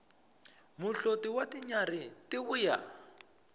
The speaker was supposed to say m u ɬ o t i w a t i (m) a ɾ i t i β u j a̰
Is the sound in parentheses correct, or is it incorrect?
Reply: incorrect